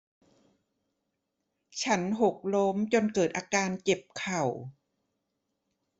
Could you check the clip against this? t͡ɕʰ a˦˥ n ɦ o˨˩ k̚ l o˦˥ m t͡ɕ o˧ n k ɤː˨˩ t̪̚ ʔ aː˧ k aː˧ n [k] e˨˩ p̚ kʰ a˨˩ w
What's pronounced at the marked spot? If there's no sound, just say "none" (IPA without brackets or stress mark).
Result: k